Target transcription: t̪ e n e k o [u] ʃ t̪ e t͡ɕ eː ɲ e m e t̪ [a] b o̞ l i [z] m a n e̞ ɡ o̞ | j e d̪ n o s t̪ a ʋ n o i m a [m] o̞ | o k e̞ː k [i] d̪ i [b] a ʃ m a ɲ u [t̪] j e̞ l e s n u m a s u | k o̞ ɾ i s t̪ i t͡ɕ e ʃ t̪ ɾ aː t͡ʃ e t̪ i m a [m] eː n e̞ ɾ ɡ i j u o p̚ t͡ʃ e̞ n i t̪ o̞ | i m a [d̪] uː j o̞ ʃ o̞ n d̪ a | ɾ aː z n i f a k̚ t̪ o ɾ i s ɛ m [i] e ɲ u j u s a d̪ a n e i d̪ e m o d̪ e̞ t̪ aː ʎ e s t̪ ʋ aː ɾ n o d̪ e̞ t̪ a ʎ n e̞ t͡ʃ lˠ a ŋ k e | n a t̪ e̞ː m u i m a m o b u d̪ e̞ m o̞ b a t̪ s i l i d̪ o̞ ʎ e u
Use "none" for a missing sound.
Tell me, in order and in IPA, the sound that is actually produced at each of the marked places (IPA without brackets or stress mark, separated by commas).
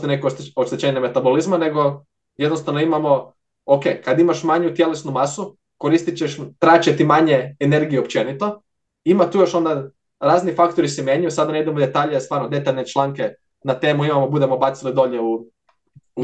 o, a, z, m, a, m, t̪, ɲ, t̪, j